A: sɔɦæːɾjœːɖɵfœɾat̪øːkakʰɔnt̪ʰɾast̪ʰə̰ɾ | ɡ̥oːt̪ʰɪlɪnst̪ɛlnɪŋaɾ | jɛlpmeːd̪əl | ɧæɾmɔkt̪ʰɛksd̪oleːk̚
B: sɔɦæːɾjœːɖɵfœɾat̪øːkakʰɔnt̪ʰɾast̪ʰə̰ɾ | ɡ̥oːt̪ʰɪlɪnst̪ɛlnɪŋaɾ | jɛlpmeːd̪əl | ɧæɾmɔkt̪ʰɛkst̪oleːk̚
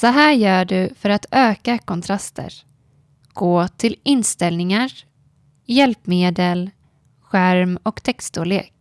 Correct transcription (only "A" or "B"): B